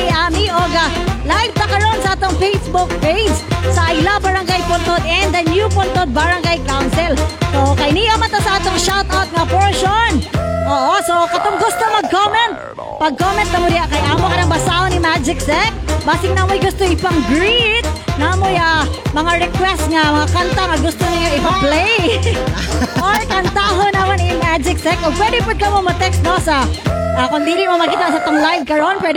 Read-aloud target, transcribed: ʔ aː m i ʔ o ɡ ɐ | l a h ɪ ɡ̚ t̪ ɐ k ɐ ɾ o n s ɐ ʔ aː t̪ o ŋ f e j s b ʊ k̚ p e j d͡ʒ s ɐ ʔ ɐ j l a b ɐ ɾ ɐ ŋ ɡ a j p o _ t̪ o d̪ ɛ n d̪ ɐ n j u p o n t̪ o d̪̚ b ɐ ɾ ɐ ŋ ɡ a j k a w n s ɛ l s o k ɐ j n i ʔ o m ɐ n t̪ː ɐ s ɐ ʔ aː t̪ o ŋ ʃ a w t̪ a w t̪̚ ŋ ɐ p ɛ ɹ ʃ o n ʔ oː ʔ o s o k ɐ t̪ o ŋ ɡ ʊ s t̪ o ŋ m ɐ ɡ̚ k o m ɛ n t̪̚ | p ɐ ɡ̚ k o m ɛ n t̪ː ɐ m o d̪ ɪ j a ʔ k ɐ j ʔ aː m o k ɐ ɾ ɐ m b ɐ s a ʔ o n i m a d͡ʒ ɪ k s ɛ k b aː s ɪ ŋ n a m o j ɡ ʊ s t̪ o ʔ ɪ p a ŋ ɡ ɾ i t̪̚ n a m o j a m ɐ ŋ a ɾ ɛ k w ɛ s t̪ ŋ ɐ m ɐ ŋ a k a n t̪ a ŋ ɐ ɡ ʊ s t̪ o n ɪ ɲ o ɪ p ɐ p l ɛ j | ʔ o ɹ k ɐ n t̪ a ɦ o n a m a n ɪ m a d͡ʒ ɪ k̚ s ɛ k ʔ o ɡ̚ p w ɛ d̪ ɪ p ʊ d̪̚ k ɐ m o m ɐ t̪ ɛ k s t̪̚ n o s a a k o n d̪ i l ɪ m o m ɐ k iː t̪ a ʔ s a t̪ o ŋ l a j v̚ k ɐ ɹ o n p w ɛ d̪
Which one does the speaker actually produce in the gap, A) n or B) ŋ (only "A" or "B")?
A